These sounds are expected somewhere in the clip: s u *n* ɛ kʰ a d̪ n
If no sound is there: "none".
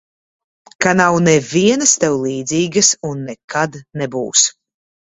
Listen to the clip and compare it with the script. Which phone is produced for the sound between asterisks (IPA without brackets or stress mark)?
nː